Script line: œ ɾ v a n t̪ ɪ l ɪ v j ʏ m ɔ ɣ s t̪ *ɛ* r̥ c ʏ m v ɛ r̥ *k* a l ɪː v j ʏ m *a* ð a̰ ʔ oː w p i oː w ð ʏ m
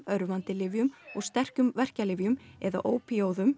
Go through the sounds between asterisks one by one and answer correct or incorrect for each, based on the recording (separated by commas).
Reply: correct, incorrect, incorrect